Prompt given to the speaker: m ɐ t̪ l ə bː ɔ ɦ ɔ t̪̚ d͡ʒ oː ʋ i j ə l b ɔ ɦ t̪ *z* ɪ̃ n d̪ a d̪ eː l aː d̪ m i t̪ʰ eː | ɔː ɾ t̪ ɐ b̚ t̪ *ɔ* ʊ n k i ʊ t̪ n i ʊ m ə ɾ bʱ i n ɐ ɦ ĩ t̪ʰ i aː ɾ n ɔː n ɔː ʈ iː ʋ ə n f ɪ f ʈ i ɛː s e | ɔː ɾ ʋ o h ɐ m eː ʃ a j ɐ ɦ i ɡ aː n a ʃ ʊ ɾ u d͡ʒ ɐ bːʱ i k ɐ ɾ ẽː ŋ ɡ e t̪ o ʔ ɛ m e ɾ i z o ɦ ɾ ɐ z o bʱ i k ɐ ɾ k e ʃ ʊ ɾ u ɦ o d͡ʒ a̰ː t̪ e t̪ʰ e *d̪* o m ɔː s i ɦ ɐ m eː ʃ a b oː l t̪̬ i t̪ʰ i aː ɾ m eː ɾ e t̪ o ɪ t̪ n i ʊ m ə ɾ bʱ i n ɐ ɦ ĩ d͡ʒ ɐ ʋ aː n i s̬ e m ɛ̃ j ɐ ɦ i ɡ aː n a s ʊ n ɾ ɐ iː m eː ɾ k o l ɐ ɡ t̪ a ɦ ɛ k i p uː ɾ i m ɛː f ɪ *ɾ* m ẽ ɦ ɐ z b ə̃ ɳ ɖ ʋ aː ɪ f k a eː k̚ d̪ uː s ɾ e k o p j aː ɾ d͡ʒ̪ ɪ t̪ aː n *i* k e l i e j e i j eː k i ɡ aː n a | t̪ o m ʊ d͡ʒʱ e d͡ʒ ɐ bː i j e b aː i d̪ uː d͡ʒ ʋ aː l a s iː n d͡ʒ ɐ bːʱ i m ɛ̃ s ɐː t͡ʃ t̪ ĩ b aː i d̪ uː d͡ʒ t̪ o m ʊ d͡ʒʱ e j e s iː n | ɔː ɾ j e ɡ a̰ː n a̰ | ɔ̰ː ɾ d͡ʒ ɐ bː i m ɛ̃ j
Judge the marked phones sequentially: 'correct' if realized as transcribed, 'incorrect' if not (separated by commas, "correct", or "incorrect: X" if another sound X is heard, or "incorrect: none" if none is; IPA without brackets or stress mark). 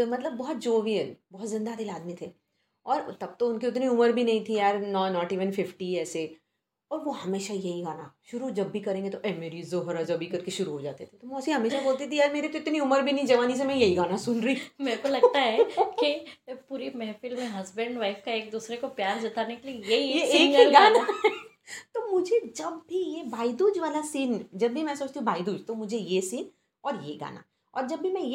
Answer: correct, incorrect: o, incorrect: t̪, incorrect: l, incorrect: e